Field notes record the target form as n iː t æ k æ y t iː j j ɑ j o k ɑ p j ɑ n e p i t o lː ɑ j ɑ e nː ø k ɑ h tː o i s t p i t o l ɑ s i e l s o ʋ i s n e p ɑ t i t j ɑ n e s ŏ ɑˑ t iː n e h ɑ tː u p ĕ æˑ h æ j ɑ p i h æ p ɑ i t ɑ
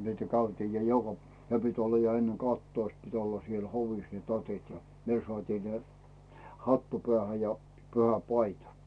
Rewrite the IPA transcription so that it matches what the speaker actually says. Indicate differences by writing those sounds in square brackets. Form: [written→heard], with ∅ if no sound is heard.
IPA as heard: n iː t æ k æ y t iː j j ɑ j o k ɑ p j ɑ n e p i t o lː ɑ j ɑ e nː [ø→e] k ɑ h tː o i s t p i t o [l→lː] ɑ s i e l [s→h] o ʋ i s n e [p→t] ɑ t i t j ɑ n e s ŏ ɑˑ t iː n e h ɑ tː u p ĕ æˑ h æ j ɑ p [i→y] h æ p ɑ i t ɑ